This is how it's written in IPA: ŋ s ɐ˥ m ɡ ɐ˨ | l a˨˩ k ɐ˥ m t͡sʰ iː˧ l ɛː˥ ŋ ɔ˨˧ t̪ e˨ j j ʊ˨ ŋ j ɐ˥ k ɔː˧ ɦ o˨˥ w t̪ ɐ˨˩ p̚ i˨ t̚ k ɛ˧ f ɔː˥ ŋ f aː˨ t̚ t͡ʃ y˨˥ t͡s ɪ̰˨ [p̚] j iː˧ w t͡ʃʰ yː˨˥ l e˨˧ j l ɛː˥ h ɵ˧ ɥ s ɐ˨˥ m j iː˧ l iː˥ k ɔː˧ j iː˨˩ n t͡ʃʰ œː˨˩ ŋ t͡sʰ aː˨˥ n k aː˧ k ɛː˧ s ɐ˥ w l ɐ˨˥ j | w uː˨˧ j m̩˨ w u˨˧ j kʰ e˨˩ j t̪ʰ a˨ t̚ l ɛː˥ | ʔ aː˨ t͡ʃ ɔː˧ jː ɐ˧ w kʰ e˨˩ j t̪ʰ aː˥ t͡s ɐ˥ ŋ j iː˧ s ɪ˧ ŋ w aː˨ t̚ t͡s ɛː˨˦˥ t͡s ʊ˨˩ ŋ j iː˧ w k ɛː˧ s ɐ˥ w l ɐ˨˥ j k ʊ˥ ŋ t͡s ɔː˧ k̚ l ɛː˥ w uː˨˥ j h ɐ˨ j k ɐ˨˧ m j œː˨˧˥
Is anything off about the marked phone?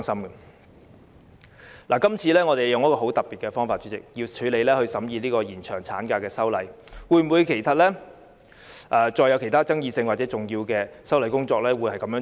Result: yes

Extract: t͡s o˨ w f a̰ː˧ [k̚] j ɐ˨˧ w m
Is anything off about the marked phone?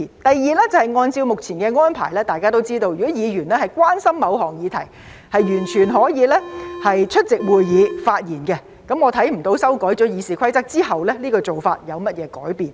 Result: yes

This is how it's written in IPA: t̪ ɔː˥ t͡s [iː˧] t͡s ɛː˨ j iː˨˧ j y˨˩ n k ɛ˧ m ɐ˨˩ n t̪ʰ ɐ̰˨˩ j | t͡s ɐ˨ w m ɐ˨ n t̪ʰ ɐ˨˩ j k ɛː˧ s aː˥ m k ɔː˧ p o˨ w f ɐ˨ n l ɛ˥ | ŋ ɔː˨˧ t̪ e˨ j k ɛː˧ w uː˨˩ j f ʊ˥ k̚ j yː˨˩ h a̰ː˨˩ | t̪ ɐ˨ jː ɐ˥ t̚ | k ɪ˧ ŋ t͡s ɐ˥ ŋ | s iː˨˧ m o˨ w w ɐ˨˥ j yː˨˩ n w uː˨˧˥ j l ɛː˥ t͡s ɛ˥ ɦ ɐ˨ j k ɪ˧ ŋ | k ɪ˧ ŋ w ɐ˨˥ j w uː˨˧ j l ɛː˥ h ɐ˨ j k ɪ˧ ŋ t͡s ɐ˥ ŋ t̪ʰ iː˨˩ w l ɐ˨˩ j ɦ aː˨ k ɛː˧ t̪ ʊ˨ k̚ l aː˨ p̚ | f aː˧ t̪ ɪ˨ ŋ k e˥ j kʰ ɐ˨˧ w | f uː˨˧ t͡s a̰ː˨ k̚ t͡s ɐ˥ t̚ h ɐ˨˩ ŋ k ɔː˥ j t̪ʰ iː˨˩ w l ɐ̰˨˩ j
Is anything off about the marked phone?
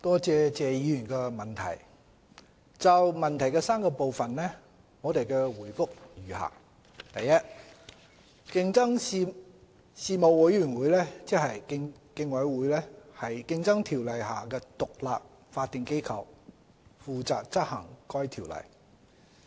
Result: yes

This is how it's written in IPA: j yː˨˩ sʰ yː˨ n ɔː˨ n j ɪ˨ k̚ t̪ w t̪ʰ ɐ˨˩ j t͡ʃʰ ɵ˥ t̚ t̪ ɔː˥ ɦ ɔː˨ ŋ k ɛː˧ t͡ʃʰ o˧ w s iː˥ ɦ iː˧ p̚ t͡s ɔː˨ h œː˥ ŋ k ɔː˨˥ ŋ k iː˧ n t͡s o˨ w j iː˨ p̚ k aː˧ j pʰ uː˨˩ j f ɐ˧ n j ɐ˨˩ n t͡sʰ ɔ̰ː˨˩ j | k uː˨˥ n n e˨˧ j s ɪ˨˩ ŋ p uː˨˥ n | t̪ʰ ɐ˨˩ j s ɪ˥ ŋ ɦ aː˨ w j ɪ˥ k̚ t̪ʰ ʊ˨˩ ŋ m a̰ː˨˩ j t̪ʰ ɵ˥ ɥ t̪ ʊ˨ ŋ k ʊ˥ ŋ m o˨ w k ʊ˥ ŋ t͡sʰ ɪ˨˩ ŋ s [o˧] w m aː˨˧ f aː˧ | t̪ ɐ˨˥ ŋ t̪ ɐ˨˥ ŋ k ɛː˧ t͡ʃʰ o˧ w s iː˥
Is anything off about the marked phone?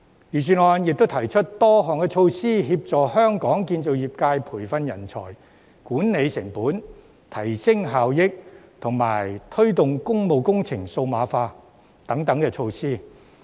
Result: no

